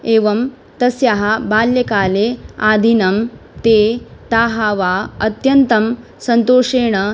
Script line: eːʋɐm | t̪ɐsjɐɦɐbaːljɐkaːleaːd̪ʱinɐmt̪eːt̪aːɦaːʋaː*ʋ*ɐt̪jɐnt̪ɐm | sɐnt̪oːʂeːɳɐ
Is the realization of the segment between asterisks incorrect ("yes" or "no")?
yes